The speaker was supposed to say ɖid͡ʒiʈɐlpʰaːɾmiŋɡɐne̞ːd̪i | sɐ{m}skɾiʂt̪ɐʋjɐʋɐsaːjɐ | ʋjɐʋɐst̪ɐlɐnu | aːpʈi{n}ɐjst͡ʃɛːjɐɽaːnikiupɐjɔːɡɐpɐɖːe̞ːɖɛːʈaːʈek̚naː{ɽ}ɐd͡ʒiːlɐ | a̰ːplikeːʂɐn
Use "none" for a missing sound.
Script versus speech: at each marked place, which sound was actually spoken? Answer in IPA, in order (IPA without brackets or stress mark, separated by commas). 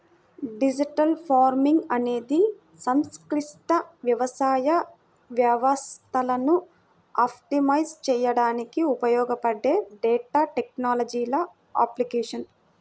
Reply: m, m, l